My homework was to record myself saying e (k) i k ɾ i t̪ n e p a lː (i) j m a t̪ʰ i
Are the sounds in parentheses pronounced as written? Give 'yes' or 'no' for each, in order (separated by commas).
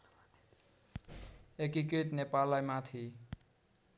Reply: yes, no